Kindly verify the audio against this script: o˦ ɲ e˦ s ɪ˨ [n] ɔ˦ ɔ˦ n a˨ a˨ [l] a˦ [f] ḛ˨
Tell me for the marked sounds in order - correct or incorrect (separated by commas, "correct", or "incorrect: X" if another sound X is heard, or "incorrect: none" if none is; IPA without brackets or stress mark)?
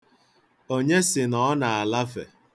correct, correct, correct